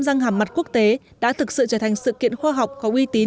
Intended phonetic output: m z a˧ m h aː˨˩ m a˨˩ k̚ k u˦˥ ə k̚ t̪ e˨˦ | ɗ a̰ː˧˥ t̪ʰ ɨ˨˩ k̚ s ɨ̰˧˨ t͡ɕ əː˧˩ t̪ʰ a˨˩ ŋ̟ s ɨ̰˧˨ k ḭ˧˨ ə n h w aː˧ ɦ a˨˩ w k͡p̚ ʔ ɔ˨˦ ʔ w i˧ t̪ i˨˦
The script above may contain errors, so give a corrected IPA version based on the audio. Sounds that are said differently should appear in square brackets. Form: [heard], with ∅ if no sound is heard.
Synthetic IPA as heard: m z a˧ [ŋ] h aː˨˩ m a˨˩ [t̚] k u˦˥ ə k̚ t̪ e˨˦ | ɗ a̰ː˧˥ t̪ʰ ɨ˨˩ k̚ s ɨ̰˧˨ t͡ɕ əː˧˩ t̪ʰ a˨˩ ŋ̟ s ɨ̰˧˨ k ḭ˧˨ ə n [x] w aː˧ ɦ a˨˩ w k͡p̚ [k] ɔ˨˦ ʔ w i˧ t̪ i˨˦

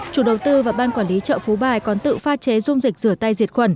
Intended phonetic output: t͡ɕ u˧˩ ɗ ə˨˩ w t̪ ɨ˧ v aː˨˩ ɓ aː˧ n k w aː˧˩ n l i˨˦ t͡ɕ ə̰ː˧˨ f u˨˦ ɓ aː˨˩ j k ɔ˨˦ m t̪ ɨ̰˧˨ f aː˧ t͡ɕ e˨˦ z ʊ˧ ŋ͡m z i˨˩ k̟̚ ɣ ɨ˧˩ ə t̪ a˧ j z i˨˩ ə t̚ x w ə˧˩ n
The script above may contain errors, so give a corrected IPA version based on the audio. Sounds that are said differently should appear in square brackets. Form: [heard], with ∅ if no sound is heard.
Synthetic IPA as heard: t͡ɕ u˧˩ ɗ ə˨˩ w t̪ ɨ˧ v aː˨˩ ɓ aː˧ n k w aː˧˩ n l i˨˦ t͡ɕ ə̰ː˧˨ f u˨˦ ɓ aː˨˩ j k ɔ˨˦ [n] t̪ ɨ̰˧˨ f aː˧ t͡ɕ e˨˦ z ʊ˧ ŋ͡m z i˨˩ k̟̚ [z] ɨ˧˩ ə t̪ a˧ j z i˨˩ ə t̚ x w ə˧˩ n

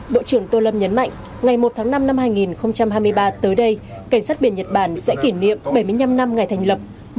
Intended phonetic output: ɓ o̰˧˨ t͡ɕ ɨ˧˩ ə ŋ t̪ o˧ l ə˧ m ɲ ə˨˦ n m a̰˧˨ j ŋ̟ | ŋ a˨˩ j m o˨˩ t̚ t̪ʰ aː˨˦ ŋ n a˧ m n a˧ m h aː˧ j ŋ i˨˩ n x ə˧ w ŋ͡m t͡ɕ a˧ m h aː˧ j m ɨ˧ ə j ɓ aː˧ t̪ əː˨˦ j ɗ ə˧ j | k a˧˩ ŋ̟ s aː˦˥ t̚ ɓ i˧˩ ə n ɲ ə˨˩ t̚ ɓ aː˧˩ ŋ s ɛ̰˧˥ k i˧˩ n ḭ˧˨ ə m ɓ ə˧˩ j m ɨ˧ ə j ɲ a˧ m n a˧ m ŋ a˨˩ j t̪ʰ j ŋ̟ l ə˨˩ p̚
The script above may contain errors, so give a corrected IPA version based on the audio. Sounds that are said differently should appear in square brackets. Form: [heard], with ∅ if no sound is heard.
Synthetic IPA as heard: ɓ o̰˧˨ t͡ɕ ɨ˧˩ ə ŋ t̪ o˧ l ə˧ m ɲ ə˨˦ n m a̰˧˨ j ŋ̟ | ŋ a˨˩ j m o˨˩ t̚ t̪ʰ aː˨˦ ŋ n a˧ m n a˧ m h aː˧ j ŋ i˨˩ n x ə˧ w ŋ͡m t͡ɕ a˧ m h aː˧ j m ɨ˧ ə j ɓ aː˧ t̪ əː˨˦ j ɗ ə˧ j | k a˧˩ ŋ̟ s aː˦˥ t̚ ɓ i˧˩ ə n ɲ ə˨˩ t̚ ɓ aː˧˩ [n] s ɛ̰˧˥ k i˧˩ n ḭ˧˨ ə m ɓ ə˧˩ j m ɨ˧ ə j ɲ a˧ m n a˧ m ŋ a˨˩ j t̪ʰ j ŋ̟ l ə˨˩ p̚

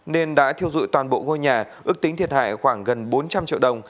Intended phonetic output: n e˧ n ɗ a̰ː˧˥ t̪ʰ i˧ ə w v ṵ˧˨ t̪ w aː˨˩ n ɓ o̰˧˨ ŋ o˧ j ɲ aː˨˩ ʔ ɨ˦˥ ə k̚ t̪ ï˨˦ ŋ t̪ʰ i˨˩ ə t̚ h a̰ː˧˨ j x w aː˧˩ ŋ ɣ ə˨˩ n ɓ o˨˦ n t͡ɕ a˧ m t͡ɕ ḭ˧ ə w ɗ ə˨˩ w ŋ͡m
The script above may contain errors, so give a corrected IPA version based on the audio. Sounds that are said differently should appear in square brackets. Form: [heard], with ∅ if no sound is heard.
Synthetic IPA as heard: n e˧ n ɗ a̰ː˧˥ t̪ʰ i˧ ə w [z] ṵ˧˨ t̪ w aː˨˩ n ɓ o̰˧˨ ŋ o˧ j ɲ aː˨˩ ʔ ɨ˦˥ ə k̚ t̪ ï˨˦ ŋ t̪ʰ i˨˩ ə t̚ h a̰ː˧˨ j x w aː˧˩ ŋ ɣ ə˨˩ n ɓ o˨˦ n t͡ɕ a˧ m t͡ɕ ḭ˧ ə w ɗ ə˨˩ w ŋ͡m

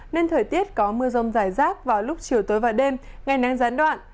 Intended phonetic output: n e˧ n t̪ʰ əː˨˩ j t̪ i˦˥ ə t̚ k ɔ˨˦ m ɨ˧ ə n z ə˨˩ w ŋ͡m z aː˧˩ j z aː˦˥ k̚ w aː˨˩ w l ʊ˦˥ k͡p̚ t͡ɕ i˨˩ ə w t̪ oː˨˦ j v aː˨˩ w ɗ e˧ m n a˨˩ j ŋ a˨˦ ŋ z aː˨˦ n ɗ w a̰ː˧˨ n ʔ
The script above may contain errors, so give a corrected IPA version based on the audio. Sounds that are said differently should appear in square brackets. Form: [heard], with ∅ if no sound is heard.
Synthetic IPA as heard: n e˧ n t̪ʰ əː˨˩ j t̪ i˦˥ ə t̚ k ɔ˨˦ m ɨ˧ ə [∅] z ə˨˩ w ŋ͡m z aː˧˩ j z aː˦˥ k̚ [v] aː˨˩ w l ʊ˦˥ k͡p̚ t͡ɕ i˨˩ ə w t̪ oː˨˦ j v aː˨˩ w ɗ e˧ m [ŋ] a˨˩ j [n] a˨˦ ŋ z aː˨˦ n ɗ w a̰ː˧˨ n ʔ

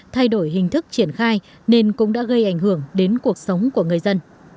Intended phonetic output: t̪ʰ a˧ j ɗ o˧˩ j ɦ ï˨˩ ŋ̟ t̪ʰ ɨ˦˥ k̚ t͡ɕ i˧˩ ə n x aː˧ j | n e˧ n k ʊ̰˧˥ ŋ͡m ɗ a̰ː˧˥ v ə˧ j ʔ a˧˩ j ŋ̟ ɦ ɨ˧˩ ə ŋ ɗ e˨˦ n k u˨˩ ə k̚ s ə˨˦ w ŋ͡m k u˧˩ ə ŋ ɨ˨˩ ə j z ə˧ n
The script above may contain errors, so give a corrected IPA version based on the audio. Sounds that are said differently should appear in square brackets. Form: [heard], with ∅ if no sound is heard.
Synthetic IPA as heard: t̪ʰ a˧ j ɗ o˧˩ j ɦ ï˨˩ ŋ̟ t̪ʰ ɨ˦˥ k̚ t͡ɕ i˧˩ ə n x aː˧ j | n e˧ n k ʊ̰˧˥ ŋ͡m ɗ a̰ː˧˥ [ɣ] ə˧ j ʔ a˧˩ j ŋ̟ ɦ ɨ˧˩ ə ŋ ɗ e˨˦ n k u˨˩ ə k̚ s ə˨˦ w ŋ͡m k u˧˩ ə ŋ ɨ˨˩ ə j z ə˧ n

